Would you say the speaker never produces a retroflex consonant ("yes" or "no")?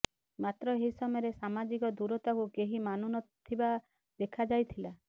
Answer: yes